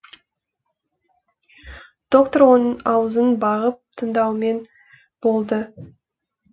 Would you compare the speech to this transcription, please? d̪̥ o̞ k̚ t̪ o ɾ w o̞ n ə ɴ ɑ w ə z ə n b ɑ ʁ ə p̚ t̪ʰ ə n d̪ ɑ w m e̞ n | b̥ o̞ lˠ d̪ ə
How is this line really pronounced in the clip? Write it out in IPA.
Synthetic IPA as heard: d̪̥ o̞ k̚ t̪ o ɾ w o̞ n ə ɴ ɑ w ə z ə n b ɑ ʁ ə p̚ t̪ʰ ə n d̪ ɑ w m e̞ n | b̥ o̞ lˠ d̪ ə